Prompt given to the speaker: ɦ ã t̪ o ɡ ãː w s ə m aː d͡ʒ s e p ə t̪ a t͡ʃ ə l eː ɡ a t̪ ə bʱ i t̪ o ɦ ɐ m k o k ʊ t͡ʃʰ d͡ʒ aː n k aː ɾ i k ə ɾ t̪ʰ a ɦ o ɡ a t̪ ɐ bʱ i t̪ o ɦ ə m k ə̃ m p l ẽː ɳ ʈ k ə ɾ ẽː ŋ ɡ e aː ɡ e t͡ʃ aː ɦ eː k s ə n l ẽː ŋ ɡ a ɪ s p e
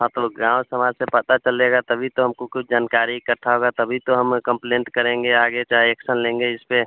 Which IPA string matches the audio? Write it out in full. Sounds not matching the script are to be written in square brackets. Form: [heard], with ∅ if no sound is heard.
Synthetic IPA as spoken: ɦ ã t̪ o ɡ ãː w s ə m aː d͡ʒ s e p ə t̪ a t͡ʃ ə l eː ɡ a t̪ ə bʱ i t̪ o ɦ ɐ m k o k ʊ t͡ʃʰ d͡ʒ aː n k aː ɾ i k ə ɾ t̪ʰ a ɦ o ɡ a t̪ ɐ bʱ i t̪ o ɦ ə m k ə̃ m p l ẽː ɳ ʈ k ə ɾ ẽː ŋ ɡ e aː ɡ e t͡ʃ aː ɦ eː k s ə n l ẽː ŋ ɡ [e] ɪ s p e